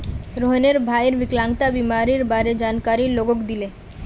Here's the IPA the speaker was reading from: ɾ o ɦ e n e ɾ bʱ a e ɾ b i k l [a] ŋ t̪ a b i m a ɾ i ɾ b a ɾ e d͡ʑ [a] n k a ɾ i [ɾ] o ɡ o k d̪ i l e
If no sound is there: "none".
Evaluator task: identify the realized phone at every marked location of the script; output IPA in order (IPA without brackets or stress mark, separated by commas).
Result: a, a, l